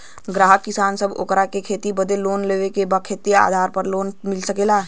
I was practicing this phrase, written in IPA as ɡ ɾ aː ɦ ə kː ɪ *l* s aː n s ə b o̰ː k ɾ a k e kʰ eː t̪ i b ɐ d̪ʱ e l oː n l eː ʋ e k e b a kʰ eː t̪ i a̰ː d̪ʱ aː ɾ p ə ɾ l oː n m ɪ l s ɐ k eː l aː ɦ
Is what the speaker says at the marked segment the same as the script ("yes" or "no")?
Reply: no